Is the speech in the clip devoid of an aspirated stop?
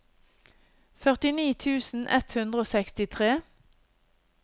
no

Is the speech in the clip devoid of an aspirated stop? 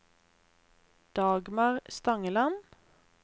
yes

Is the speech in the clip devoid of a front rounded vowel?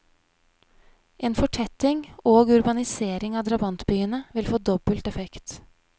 no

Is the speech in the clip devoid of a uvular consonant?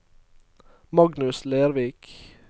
yes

